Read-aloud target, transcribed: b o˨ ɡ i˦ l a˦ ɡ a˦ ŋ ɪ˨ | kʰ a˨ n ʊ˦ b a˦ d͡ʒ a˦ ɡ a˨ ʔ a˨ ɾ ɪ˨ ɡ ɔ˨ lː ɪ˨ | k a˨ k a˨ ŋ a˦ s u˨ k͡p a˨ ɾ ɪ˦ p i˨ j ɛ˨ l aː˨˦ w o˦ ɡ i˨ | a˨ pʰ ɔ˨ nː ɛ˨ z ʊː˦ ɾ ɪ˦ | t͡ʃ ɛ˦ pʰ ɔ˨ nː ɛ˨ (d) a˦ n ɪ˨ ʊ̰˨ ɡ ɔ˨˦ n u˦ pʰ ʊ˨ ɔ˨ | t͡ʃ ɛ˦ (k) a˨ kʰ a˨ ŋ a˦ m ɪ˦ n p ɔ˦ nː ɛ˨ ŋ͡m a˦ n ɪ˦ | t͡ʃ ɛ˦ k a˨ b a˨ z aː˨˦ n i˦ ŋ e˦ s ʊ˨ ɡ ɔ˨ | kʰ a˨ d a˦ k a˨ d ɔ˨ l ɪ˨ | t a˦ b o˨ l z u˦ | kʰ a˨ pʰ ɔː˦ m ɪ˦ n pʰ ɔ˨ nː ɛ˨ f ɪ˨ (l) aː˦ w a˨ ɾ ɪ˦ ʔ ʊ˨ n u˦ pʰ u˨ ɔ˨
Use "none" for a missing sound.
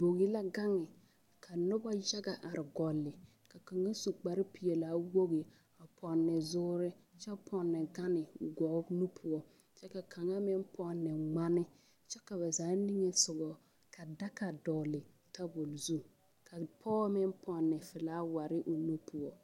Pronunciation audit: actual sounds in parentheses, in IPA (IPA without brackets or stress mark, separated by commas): ɡ, k, l